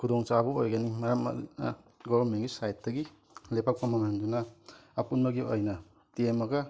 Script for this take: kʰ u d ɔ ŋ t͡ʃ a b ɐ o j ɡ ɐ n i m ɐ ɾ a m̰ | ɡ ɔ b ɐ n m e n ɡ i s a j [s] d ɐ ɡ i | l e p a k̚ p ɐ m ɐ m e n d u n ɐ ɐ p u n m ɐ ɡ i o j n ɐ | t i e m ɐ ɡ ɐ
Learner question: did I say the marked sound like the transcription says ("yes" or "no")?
no